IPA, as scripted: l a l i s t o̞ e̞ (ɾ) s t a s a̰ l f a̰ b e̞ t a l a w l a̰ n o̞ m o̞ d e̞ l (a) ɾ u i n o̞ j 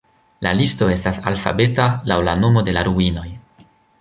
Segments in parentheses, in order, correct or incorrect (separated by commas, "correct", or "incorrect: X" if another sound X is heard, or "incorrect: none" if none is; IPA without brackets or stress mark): incorrect: none, correct